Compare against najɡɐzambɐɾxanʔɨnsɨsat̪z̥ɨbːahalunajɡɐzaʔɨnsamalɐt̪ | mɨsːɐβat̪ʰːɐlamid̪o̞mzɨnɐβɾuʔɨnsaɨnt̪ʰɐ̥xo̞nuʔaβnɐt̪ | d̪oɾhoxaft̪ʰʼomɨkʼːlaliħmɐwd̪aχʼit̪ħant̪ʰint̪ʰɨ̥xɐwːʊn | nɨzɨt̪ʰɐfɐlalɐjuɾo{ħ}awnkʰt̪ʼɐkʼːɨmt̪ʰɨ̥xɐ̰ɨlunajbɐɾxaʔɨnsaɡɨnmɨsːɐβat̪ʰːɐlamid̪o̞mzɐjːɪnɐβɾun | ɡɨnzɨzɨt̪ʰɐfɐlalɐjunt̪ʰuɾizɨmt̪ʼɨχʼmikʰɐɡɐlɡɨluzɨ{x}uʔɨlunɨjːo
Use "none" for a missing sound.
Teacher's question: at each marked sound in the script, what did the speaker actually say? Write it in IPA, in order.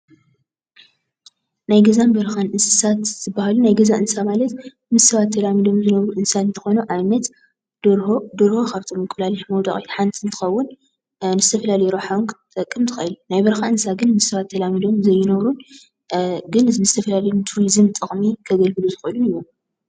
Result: ħ, x

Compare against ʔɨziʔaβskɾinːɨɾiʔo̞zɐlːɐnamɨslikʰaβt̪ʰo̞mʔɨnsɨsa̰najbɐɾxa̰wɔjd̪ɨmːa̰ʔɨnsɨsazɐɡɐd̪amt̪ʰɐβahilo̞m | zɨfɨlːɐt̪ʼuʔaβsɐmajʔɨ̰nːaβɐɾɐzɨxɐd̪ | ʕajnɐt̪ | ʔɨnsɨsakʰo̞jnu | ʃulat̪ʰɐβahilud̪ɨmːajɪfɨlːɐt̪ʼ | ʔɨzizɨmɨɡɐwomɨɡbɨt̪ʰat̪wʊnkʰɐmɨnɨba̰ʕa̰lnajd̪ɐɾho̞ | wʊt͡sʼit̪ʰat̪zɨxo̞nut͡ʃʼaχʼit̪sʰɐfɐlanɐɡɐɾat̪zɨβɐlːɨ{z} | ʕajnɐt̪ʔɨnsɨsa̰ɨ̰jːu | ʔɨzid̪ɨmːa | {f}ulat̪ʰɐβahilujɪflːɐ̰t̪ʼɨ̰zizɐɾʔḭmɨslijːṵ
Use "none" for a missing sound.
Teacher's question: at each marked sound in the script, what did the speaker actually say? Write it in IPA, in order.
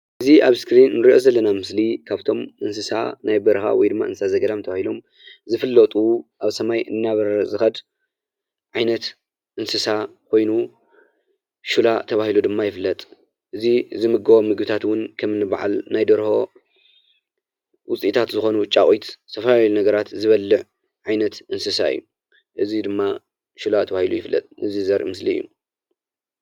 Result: ʕ, ʃ

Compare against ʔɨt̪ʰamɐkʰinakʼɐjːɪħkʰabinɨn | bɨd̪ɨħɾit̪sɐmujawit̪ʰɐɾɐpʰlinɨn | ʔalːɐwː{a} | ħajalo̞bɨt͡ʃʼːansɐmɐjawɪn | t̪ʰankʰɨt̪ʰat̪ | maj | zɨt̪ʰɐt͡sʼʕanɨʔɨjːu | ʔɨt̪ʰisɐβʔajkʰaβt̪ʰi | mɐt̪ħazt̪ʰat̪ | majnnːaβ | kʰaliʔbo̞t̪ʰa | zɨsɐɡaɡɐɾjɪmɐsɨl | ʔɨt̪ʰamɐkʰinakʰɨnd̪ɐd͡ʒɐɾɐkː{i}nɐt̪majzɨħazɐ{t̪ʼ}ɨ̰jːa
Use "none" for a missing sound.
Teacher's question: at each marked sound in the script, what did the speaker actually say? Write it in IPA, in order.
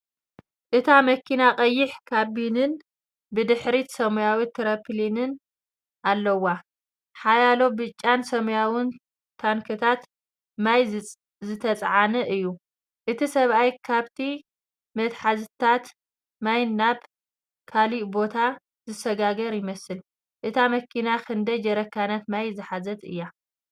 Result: a, a, t̪

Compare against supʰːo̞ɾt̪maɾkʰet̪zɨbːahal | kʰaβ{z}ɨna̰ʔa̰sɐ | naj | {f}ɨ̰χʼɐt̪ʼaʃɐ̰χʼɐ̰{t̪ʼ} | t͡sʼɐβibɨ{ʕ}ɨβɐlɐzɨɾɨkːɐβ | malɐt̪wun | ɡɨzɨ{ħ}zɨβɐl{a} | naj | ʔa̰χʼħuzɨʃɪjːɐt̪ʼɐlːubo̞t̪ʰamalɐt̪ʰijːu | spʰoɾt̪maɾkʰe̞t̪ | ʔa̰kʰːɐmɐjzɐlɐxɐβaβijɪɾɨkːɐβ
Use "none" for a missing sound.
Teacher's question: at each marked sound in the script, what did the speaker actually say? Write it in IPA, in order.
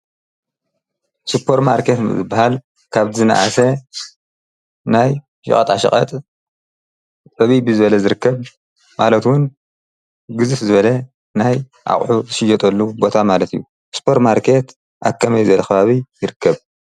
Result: z, ʃ, t̪ʼ, z, f, ɐ

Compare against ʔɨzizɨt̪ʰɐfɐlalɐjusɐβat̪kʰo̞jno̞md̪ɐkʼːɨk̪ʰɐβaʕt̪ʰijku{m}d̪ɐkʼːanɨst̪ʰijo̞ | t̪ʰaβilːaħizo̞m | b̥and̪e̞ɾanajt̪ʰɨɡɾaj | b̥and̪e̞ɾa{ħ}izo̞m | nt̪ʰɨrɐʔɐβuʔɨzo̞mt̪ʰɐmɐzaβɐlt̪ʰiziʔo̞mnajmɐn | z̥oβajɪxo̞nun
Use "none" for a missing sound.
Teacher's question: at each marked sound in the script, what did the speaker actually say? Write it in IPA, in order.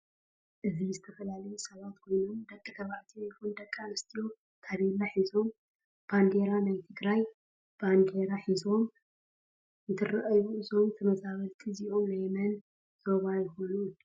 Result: n, ħ

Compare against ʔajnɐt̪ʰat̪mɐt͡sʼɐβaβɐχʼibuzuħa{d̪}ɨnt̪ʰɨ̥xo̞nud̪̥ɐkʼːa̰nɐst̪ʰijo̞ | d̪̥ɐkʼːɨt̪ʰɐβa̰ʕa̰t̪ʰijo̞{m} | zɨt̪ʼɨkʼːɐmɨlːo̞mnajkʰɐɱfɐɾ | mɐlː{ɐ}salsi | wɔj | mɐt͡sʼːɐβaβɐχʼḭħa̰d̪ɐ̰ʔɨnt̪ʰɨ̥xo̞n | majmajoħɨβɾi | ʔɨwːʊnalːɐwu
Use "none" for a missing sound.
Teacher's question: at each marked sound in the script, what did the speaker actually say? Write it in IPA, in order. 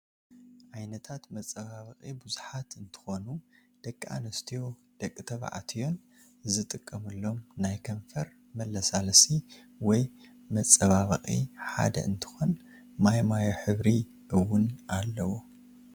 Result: t̪, n, ɐ

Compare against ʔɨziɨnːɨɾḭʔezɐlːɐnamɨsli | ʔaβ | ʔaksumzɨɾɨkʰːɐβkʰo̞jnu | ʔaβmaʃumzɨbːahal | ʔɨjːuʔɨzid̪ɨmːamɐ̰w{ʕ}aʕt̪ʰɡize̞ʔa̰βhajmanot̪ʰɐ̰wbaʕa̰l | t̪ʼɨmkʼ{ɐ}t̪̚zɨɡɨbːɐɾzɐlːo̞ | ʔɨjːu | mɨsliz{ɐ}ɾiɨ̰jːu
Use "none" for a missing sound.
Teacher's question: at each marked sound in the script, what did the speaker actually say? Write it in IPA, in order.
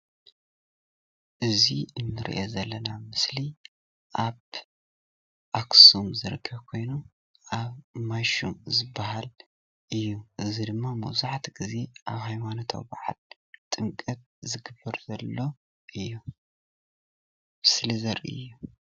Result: z, ɐ, ɐ

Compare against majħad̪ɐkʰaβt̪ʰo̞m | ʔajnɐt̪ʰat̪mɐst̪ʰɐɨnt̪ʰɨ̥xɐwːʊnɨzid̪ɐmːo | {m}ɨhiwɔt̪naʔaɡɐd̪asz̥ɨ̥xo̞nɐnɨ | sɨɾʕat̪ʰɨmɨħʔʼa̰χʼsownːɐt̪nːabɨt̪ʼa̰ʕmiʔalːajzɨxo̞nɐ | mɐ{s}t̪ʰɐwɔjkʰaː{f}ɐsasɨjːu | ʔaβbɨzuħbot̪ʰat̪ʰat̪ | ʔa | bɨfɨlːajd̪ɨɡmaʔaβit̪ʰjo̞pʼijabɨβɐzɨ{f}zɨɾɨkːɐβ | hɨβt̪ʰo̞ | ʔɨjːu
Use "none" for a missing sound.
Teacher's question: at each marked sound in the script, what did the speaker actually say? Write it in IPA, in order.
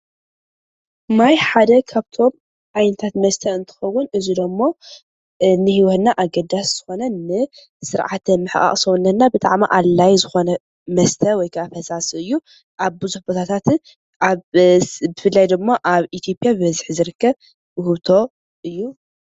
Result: n, s, f, ħ

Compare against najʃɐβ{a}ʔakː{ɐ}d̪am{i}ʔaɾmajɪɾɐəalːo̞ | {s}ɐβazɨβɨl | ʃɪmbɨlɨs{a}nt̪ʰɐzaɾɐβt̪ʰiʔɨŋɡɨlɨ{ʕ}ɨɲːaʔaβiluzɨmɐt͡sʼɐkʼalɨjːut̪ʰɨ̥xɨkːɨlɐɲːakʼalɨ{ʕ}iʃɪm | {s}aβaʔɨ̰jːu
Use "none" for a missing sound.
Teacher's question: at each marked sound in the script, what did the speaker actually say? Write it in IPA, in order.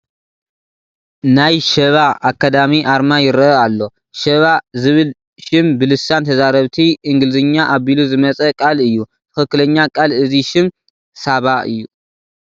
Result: a, a, i, ʃ, a, z, z, s

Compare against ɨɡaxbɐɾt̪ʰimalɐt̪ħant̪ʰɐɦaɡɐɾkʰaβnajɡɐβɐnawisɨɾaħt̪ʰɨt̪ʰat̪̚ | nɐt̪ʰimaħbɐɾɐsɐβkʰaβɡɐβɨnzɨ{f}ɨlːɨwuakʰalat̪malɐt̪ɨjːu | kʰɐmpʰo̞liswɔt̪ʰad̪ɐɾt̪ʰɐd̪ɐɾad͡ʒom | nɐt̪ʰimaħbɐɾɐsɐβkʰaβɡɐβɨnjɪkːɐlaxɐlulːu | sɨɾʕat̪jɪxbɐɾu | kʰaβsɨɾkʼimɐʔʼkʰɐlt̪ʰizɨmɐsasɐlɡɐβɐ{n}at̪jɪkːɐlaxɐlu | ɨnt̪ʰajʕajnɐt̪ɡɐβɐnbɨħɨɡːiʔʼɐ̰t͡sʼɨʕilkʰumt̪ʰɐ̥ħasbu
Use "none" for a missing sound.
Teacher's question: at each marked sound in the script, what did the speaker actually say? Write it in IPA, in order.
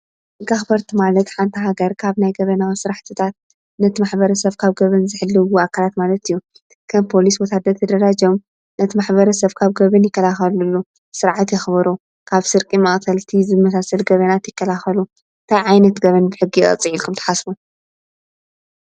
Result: ħ, n

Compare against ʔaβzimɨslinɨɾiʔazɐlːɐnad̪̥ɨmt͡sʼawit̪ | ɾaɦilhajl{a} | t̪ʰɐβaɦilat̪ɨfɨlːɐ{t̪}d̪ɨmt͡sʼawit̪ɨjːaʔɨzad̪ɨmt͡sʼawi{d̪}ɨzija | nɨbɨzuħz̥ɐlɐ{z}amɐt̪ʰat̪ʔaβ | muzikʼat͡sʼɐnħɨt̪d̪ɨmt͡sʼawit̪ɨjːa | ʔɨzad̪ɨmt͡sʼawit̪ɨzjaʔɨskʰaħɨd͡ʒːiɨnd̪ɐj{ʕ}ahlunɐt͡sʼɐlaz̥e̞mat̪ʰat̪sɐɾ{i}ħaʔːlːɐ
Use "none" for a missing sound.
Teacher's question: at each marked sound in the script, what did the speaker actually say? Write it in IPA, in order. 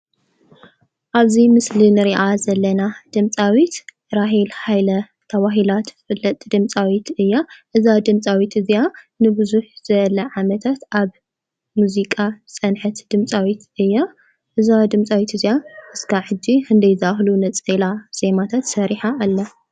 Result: ɐ, t̪ʼ, t̪, ʕ, z, i

